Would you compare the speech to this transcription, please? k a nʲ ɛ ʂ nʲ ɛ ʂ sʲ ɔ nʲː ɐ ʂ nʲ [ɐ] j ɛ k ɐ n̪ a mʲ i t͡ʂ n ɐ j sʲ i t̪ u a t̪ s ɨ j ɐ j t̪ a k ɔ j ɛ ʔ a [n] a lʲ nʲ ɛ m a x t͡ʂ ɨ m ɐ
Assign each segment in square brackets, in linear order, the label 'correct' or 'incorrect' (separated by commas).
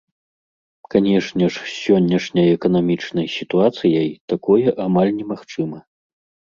correct, incorrect